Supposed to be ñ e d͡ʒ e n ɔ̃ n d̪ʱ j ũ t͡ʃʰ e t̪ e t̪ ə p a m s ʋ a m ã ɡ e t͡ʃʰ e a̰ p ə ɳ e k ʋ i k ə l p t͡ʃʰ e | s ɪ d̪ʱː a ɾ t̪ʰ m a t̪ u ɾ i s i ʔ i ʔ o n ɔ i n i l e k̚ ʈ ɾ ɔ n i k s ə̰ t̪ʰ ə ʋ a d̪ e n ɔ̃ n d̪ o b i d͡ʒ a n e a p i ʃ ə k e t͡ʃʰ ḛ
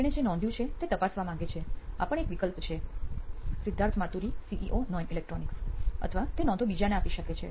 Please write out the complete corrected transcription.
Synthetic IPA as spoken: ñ e d͡ʒ e n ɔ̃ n d̪ʱ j ũ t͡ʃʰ e t̪ e t̪ ə p a s ʋ a m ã ɡ e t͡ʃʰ e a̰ p ə ɳ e k ʋ i k ə l p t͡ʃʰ e | s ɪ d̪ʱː a ɾ t̪ʰ m a t̪ u ɾ i s i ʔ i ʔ o n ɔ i n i l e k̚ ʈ ɾ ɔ n i k s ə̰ t̪ʰ ə ʋ a t̪ e n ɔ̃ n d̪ o b i d͡ʒ a n e a p i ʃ ə k e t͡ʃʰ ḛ